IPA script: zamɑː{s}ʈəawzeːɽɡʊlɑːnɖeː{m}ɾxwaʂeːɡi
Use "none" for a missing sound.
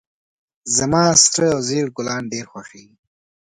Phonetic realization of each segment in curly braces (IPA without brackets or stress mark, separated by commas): s, none